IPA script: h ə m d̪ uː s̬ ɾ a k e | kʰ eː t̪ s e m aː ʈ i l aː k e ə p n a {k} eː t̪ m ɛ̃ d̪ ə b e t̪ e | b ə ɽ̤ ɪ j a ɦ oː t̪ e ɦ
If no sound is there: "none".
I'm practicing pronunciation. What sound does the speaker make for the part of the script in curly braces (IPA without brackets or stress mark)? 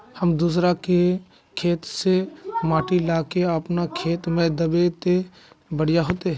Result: kʰ